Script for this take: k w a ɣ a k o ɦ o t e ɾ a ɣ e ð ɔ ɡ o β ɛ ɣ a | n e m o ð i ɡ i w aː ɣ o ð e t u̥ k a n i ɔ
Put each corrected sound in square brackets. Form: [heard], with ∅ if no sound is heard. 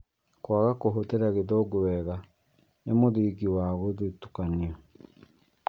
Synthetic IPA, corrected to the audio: k w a ɣ a k o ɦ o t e ɾ a ɣ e ð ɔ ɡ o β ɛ ɣ a | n e m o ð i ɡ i w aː ɣ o ð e t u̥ k a n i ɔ